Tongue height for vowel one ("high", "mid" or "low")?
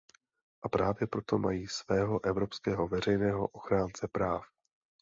low